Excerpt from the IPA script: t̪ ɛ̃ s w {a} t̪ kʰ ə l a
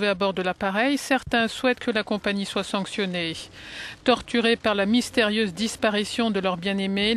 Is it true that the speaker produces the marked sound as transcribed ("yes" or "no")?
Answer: no